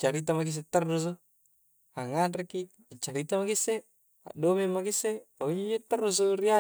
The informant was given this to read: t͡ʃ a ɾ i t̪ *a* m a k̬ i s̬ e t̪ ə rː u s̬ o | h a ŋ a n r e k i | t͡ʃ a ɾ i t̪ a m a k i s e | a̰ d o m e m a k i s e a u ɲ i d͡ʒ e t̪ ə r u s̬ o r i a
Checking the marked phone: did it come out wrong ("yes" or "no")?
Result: no